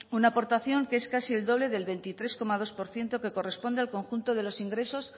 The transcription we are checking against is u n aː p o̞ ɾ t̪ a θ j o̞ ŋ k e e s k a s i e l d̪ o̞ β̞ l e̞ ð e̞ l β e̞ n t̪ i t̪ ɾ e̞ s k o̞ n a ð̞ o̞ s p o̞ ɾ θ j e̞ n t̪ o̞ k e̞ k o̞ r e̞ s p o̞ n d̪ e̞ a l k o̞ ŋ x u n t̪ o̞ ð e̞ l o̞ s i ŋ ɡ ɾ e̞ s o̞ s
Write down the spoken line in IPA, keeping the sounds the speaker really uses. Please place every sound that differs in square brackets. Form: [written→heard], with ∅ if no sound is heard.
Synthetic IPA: u n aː p o̞ ɾ t̪ a θ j o̞ ŋ k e e s k a s i e l d̪ o̞ β̞ l e̞ ð e̞ l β e̞ n t̪ i t̪ ɾ e̞ s k o̞ [n→m] a ð̞ o̞ s p o̞ ɾ θ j e̞ n t̪ o̞ k e̞ k o̞ r e̞ s p o̞ n d̪ e̞ a l k o̞ ŋ x u n t̪ o̞ ð e̞ l o̞ s i ŋ ɡ ɾ e̞ s o̞ s